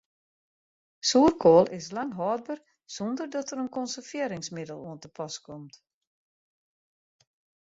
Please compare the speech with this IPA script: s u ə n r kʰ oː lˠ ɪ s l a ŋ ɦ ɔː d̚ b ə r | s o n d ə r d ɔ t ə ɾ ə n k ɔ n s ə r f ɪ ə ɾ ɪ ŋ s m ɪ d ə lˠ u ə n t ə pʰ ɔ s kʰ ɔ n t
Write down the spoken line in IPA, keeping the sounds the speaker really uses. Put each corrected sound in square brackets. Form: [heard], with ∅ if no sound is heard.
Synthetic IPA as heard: s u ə [∅] r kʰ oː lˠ ɪ s l a ŋ ɦ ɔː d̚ b ə r | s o n d ə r d ɔ t ə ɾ ə n k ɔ n s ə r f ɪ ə ɾ ɪ ŋ s m ɪ d ə lˠ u ə n t ə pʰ ɔ s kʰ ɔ [m] t